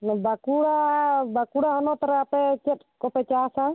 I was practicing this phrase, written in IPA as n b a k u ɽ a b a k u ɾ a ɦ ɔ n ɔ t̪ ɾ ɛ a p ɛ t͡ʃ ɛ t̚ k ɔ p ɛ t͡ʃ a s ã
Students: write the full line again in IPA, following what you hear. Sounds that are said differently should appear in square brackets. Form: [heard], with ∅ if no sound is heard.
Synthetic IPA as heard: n b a k u ɽ a b a k u [ɽ] a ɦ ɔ n ɔ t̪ ɾ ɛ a p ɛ t͡ʃ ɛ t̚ k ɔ p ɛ t͡ʃ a s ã